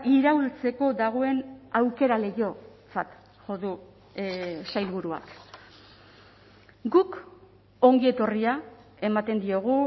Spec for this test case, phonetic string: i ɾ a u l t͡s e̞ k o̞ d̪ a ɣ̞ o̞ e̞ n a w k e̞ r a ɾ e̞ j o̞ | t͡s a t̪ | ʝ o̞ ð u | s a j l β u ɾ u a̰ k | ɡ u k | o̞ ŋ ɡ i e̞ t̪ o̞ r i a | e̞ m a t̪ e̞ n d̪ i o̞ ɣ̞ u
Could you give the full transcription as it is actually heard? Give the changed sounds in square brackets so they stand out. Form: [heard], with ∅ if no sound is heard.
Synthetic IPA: i ɾ a u l t͡s e̞ k o̞ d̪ a ɣ̞ o̞ e̞ n a w k e̞ [ɾ] a [l] e̞ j o̞ | t͡s a t̪ | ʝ o̞ ð u | s a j l β u ɾ u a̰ k | ɡ u k | o̞ ŋ ɡ i e̞ t̪ o̞ r i a | e̞ m a t̪ e̞ n d̪ i o̞ ɣ̞ u